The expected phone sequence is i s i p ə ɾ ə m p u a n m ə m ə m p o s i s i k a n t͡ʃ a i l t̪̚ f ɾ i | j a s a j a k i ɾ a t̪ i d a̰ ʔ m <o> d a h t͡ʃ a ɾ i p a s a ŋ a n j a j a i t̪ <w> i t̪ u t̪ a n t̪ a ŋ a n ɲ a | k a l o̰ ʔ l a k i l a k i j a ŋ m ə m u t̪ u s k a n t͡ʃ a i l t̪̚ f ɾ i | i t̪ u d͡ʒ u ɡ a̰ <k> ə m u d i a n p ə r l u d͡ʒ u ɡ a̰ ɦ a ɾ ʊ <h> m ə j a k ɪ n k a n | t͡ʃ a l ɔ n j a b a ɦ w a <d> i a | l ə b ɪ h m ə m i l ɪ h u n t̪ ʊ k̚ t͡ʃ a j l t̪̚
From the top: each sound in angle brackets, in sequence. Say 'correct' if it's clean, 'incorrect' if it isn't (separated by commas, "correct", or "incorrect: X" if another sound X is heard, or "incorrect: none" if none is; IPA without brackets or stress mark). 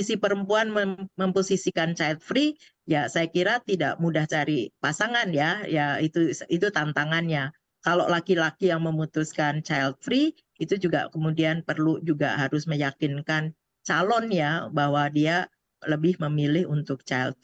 incorrect: u, incorrect: u, correct, incorrect: s, correct